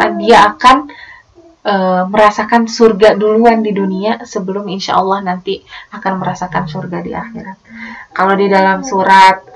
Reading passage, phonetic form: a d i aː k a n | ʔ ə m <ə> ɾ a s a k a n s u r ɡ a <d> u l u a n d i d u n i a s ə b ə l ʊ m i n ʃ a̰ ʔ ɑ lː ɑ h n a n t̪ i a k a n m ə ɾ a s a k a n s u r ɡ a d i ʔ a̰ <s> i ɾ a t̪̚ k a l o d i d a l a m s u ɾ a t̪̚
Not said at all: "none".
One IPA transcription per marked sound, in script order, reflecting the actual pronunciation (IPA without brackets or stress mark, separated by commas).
ə, d, x